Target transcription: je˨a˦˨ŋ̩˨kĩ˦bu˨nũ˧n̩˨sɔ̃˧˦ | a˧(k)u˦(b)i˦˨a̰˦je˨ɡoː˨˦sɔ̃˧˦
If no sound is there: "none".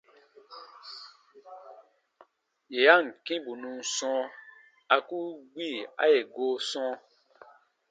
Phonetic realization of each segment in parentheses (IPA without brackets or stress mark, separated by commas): k, ɡ͡b